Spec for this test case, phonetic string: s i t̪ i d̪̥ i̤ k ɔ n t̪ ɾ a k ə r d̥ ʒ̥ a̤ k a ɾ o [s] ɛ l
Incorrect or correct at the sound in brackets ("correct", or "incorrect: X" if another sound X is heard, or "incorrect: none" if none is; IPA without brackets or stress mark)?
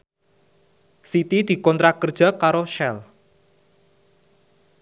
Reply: incorrect: ʃ